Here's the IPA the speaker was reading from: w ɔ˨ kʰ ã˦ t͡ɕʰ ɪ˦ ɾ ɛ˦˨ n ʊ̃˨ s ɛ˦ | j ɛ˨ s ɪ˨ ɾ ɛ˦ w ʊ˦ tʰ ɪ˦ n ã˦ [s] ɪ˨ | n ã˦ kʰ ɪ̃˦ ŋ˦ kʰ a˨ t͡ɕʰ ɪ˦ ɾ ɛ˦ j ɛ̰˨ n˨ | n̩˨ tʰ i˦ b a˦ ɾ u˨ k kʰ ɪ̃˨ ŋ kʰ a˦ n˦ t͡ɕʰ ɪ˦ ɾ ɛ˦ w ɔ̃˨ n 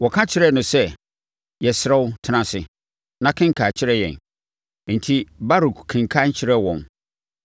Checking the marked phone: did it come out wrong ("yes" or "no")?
no